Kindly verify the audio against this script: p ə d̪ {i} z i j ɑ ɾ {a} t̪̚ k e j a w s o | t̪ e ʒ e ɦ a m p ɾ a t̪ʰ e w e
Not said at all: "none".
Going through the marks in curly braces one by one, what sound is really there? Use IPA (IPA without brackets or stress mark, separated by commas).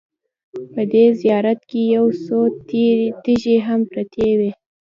e, a